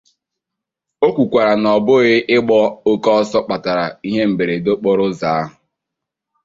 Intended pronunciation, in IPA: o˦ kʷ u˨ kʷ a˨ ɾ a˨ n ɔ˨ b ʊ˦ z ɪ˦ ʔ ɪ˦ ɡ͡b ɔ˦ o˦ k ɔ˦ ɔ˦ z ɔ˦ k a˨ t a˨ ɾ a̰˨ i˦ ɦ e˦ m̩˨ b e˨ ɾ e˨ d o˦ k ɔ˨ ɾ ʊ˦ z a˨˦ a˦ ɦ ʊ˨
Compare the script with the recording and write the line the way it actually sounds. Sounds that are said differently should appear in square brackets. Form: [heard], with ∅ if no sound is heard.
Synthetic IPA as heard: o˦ kʷ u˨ kʷ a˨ ɾ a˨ n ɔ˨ b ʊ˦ [ɣ] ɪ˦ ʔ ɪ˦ ɡ͡b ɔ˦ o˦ k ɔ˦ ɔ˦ [s] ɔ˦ [k͡p] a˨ t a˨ ɾ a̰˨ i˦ ɦ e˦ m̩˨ b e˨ ɾ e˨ d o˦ [k͡p] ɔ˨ ɾ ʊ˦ z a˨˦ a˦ ɦ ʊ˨